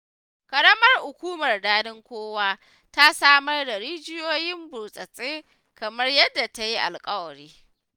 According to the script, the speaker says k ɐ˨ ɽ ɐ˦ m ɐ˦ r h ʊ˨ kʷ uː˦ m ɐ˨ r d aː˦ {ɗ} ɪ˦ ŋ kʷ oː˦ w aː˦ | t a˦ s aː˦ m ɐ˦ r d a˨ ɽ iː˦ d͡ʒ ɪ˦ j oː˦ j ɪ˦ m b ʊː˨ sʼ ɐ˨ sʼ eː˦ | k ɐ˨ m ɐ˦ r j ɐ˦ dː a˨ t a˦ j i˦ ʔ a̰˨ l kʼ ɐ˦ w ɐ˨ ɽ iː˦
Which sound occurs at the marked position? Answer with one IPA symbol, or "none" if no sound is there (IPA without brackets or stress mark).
d